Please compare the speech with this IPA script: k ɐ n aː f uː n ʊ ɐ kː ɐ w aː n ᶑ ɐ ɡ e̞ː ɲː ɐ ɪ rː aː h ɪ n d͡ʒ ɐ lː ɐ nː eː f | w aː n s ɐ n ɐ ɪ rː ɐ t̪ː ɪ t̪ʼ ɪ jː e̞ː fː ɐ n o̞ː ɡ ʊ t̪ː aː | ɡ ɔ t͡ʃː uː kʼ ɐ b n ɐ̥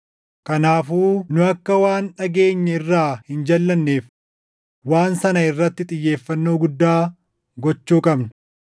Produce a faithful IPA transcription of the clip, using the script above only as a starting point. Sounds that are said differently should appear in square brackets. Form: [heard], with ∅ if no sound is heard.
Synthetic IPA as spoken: k ɐ n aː f uː n ʊ ɐ kː ɐ w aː n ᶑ ɐ ɡ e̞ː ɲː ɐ ɪ rː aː h ɪ n d͡ʒ ɐ lː ɐ nː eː f | w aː n s ɐ n ɐ ɪ rː ɐ t̪ː ɪ t̪ʼ ɪ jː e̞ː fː ɐ [nː] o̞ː ɡ ʊ [d̪ː] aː | ɡ ɔ t͡ʃː uː kʼ ɐ b n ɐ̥